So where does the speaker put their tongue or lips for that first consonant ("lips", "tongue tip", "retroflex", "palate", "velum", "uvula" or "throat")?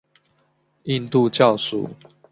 tongue tip